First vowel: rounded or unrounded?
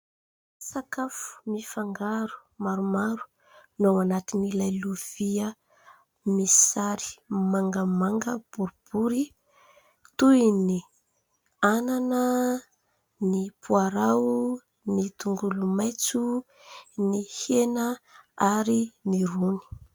unrounded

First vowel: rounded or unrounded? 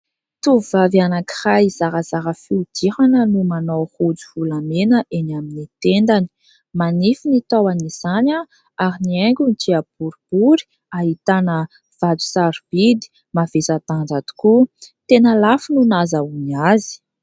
rounded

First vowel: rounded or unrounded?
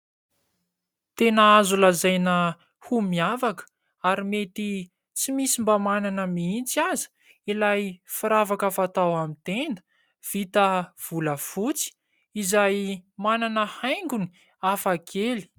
unrounded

